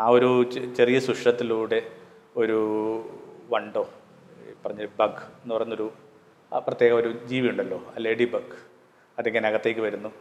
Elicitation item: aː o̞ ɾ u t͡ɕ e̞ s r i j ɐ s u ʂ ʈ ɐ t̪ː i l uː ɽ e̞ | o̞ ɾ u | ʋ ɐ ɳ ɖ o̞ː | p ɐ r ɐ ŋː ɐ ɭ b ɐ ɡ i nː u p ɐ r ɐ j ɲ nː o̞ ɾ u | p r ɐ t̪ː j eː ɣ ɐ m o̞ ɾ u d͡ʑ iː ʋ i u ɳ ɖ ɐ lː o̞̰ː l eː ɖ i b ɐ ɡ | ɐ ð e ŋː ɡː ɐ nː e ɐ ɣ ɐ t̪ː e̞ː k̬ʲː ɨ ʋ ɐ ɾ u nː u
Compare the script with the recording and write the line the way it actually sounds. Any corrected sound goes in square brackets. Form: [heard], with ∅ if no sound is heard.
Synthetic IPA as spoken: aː o̞ ɾ u t͡ɕ e̞ [∅] r i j ɐ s u ʂ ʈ ɐ t̪ː i l uː ɽ e̞ | o̞ ɾ u | ʋ ɐ ɳ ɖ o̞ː | p ɐ r ɐ [ɲː] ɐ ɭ b ɐ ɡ [e] nː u p ɐ r ɐ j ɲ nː o̞ ɾ u | p r ɐ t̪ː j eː ɣ ɐ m o̞ ɾ u d͡ʑ iː ʋ i u ɳ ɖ ɐ lː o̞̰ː l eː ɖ i b ɐ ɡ | ɐ ð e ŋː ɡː ɐ [n] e ɐ ɣ ɐ t̪ː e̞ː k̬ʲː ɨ ʋ ɐ ɾ u nː u